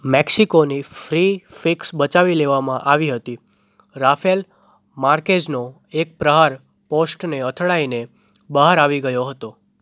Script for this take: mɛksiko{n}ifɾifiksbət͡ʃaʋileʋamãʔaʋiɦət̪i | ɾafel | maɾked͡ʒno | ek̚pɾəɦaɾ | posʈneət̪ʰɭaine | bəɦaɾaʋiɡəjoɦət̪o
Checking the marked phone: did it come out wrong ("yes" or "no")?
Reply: no